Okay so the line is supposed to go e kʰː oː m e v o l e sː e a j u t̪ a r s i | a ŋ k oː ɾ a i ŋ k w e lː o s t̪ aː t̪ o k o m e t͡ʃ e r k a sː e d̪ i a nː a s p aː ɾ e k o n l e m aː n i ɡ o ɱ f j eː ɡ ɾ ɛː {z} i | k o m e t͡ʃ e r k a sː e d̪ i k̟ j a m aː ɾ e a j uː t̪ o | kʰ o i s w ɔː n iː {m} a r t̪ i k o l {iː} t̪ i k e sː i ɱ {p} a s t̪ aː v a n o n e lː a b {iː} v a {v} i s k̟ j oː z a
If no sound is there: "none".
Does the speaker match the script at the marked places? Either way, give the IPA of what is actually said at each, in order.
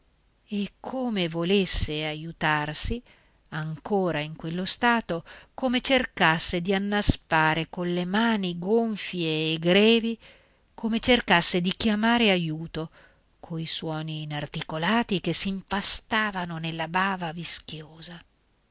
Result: v, n, aː, p, aː, v

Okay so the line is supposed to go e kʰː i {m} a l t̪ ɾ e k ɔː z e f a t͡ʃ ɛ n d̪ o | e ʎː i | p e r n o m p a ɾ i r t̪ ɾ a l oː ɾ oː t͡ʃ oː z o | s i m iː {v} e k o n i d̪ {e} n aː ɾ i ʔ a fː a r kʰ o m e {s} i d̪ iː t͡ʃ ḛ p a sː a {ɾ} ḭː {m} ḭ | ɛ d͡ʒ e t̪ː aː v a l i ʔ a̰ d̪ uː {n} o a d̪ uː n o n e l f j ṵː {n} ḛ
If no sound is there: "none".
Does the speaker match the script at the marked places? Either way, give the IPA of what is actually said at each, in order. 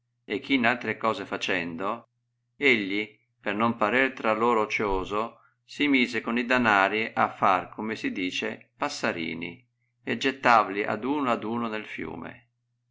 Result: n, z, a, s, ɾ, n, n, m

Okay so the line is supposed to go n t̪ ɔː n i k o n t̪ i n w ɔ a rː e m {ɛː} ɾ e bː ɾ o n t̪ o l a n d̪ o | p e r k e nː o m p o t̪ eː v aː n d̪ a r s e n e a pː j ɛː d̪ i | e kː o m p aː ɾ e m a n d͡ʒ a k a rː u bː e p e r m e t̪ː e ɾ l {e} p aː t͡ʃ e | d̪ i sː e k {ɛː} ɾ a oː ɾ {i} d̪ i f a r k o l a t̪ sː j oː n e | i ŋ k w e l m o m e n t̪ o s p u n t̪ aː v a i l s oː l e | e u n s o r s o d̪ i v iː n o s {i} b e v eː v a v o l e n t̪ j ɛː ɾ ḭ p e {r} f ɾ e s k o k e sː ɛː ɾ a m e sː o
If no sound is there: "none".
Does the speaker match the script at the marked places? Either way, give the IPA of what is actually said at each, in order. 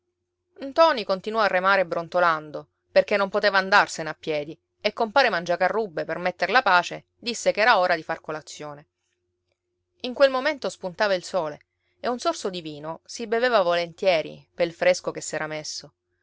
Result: aː, a, ɛː, a, i, l

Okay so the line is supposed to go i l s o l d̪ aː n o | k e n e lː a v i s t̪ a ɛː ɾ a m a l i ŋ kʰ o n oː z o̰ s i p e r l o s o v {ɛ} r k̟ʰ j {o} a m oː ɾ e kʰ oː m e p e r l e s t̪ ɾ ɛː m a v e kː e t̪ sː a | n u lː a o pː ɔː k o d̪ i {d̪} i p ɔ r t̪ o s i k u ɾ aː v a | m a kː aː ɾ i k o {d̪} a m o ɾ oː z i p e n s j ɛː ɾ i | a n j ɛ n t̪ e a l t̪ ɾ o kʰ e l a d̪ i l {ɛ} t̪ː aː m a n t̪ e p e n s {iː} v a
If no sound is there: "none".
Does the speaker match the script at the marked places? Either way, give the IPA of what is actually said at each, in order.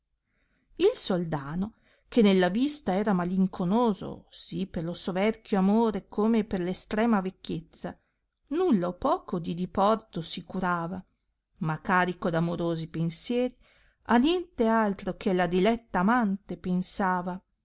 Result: ɛ, o, d̪, d̪, ɛ, aː

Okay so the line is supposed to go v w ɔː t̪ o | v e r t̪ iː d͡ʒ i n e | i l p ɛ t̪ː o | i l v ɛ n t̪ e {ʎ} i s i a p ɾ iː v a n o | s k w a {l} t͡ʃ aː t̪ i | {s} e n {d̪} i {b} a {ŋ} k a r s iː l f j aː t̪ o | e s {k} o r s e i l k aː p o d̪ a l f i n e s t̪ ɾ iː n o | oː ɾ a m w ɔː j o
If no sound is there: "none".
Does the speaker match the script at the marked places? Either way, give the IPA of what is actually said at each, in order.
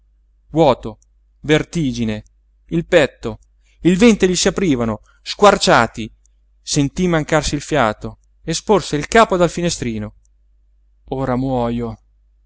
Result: ʎ, r, s, t̪, m, ŋ, p

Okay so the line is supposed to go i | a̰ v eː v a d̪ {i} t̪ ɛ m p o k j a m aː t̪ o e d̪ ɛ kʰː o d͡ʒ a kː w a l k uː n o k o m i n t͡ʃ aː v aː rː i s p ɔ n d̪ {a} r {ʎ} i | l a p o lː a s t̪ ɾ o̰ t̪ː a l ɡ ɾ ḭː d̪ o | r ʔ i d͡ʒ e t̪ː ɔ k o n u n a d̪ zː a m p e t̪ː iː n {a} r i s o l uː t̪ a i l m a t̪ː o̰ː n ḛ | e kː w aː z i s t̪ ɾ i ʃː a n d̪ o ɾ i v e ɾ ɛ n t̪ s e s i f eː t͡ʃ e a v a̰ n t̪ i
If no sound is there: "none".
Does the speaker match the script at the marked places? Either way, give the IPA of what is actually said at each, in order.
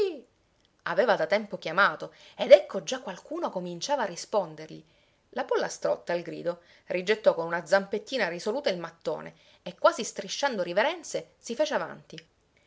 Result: a, e, ʎ, a

